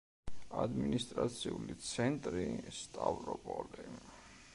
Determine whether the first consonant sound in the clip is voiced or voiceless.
voiced